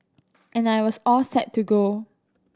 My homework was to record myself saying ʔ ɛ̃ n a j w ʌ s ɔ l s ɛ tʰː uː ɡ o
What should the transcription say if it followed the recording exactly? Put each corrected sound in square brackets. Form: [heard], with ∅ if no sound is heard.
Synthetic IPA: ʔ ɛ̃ n a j w [ɔ] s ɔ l s ɛ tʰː [u] ɡ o